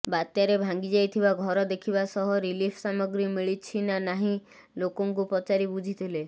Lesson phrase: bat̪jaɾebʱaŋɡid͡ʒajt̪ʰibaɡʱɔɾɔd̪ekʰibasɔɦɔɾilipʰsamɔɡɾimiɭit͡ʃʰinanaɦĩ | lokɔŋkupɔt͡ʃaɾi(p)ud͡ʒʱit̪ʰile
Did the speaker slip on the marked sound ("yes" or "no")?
yes